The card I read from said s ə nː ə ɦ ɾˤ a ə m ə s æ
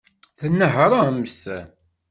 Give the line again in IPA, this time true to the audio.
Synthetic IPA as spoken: θ ə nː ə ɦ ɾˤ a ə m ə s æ